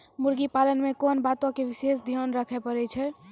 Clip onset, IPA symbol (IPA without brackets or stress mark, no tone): m